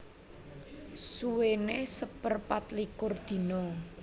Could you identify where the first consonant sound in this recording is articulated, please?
alveolar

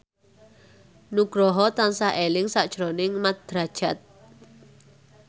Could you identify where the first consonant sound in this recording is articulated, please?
alveolar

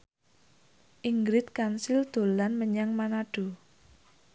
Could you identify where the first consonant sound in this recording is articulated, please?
glottal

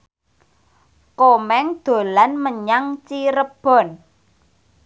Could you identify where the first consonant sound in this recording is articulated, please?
velar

